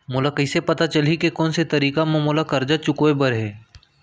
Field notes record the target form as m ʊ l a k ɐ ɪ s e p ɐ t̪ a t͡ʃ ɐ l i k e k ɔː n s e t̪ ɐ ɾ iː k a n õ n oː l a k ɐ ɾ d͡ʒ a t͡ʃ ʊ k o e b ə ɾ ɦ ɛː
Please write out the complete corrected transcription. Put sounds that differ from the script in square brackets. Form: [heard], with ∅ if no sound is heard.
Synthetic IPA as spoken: m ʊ l a k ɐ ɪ s e p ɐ t̪ a t͡ʃ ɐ l i k e k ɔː n s e t̪ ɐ ɾ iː k a [m] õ [m] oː l a k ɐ ɾ d͡ʒ a t͡ʃ ʊ k o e b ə ɾ ɦ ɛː